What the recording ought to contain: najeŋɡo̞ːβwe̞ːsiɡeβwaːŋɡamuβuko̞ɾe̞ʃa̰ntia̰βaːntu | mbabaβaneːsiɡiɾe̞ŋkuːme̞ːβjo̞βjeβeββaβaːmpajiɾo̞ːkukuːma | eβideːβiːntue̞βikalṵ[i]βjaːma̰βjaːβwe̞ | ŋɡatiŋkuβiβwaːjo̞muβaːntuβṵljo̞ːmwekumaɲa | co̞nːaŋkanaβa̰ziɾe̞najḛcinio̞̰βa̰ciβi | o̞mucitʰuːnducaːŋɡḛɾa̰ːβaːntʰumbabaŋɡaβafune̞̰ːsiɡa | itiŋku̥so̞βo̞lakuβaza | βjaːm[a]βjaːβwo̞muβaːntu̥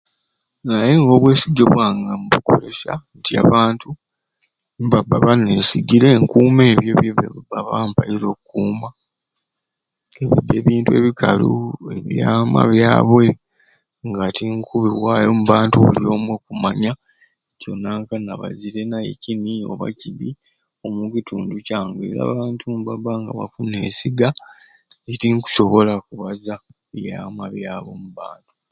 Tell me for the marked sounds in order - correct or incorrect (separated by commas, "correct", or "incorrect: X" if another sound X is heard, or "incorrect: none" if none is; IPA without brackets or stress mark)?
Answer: incorrect: e, correct